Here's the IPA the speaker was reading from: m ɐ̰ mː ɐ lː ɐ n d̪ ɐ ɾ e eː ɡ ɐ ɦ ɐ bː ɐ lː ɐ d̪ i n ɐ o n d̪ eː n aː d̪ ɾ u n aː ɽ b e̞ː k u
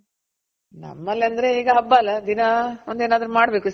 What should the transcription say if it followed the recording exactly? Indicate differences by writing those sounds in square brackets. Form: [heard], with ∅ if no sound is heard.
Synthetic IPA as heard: [n] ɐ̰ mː ɐ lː ɐ n d̪ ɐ ɾ e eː ɡ ɐ ɦ ɐ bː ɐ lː ɐ d̪ i n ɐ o n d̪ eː n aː d̪ ɾ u [m] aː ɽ b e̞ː k u